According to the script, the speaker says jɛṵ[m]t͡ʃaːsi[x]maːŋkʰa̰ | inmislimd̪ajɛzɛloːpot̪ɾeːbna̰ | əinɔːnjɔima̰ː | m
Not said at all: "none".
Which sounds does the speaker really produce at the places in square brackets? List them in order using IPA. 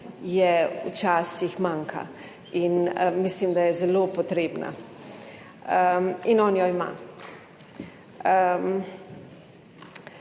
none, x

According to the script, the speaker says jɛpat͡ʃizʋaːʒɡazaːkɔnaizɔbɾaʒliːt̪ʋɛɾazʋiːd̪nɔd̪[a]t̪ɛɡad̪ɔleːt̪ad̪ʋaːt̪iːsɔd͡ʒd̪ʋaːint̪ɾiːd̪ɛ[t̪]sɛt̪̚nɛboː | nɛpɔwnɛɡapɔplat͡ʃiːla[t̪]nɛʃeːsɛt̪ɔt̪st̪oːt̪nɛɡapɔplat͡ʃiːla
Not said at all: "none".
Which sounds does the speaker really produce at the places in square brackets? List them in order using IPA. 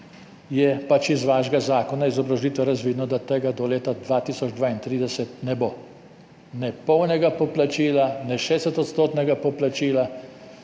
a, none, none

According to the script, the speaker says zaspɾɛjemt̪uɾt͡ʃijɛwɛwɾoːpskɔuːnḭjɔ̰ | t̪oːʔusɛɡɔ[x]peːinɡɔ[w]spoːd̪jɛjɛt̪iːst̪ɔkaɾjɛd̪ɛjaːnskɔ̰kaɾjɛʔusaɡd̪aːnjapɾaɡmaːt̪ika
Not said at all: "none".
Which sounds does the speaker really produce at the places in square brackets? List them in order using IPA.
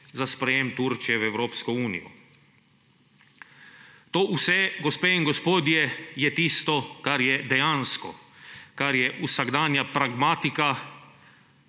s, none

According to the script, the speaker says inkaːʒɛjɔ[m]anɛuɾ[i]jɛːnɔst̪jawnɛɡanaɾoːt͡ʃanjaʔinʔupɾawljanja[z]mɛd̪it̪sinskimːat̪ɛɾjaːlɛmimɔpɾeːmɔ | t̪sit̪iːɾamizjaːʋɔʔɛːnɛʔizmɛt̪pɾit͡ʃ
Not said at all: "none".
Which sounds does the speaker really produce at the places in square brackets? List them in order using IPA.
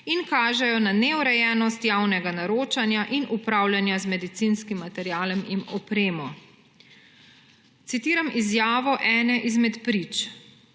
n, ɛ, z

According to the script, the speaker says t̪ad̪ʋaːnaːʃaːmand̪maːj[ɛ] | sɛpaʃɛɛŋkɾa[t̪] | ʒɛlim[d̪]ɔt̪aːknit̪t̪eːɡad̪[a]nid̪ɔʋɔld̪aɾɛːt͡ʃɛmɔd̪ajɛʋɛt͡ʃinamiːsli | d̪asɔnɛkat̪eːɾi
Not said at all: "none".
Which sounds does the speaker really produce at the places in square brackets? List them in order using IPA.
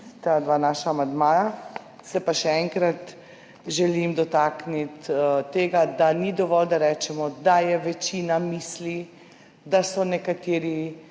a, t̪, d̪, a

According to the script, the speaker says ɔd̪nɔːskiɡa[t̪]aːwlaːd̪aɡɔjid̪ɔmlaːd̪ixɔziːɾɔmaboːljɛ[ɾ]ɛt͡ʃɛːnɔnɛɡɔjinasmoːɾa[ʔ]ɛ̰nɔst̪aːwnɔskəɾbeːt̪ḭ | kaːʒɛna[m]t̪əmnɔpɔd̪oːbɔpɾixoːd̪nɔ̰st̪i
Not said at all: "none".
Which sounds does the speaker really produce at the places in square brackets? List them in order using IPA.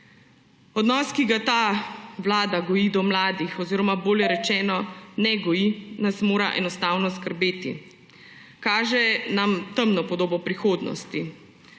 t̪, ɾ, ʔ, m

